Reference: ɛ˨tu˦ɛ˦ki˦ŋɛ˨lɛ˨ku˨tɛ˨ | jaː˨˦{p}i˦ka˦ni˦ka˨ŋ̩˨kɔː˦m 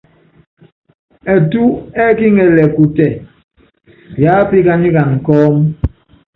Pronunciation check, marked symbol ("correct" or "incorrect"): correct